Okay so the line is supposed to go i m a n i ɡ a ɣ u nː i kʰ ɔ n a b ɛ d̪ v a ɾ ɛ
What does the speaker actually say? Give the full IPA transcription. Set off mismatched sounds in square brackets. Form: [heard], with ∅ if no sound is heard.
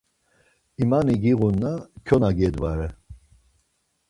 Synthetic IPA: i m a n i ɡ [i] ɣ u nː [a] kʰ ɔ n a [ɡ] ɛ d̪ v a ɾ ɛ

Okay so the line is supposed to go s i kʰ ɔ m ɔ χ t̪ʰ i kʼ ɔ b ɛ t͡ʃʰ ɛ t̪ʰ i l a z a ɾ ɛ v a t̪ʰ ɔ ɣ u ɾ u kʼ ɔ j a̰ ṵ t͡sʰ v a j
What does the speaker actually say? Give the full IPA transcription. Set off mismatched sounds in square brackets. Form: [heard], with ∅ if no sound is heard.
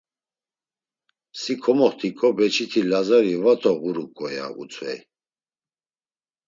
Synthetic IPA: s i kʰ ɔ m ɔ χ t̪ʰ i kʼ ɔ b ɛ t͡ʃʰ [i] t̪ʰ i l a z a ɾ [i] v a t̪ʰ ɔ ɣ u ɾ u kʼ ɔ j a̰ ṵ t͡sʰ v [ɛ] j

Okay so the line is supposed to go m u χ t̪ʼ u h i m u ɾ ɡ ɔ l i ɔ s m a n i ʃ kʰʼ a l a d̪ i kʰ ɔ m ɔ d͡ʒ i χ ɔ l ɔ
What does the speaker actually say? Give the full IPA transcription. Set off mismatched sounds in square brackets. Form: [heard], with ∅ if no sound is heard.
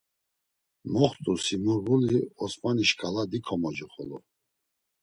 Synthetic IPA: m [ɔ] χ t̪ʼ u [s] i m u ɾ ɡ [u] l i ɔ s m a n i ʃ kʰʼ a l a d̪ i kʰ ɔ m ɔ d͡ʒ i χ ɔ l ɔ

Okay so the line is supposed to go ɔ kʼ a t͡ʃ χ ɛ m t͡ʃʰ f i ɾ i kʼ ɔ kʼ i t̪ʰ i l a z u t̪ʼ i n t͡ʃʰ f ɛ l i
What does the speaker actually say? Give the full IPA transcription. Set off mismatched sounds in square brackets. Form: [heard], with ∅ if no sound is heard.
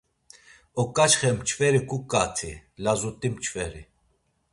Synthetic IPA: ɔ kʼ a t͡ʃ χ ɛ m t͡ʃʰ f [ɛ] ɾ i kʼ [u] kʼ [a] t̪ʰ i l a z u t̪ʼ i [m] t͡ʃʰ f ɛ [ɾ] i

